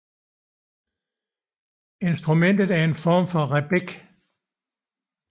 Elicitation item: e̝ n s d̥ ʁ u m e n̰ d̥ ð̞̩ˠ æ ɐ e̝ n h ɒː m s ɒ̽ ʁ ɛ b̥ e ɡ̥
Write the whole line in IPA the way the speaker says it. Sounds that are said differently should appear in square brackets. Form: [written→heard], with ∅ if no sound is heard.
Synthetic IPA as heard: e̝ n s d̥ ʁ u m e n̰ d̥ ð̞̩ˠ æ ɐ e̝ n [h→f] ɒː m [s→f] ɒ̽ ʁ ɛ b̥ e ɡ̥